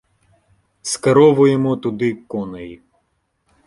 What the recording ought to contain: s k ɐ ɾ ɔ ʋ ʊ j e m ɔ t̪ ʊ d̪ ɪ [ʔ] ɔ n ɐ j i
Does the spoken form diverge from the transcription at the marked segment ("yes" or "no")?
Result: yes